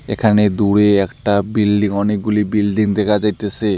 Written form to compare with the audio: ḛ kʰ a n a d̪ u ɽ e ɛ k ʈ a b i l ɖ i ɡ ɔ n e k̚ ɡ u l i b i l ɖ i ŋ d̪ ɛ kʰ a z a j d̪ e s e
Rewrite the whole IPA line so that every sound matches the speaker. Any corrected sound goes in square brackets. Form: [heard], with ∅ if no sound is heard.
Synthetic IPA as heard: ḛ kʰ a n [e] d̪ u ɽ e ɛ k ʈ a b i l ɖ i [ŋ] ɔ n e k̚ ɡ u l i b i l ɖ i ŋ d̪ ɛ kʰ a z a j [t̪] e s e